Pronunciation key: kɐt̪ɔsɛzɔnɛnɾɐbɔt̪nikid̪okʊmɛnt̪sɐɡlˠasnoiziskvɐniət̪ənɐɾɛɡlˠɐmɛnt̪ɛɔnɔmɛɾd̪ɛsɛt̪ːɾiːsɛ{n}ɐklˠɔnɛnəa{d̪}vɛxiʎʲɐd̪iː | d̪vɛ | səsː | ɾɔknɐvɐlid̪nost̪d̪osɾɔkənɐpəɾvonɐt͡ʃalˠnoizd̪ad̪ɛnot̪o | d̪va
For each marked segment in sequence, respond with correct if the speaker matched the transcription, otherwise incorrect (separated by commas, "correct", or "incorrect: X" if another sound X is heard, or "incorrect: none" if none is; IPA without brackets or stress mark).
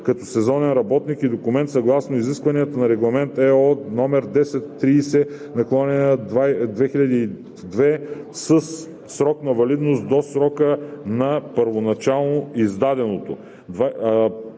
correct, correct